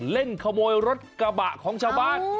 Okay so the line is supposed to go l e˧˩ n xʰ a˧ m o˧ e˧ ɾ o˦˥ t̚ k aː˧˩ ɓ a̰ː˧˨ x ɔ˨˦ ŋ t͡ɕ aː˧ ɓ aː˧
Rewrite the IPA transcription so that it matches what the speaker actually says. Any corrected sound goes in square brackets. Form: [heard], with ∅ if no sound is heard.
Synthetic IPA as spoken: l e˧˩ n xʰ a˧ m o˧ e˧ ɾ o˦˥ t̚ k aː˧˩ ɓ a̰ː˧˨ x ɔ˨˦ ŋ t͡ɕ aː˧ ɓ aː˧